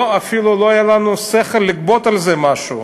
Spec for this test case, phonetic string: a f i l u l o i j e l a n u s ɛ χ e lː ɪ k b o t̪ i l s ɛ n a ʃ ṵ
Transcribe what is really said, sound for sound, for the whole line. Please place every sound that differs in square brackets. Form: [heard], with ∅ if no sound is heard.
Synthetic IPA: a f i l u l o [a] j [a] l a n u s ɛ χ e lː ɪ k b o t̪ [a] l [z] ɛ [m] a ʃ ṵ